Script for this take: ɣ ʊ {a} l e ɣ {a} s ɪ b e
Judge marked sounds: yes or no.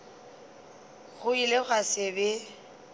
no, yes

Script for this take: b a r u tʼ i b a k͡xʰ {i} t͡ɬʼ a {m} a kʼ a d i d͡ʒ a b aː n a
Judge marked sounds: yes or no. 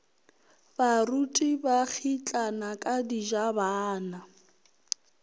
yes, no

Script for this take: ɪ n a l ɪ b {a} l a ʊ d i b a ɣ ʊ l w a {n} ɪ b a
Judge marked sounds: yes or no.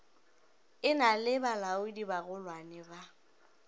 yes, yes

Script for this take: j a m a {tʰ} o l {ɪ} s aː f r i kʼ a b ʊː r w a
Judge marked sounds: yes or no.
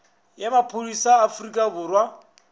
no, no

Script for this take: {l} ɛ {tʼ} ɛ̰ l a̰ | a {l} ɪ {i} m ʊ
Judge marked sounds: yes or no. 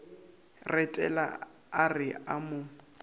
no, yes, no, no

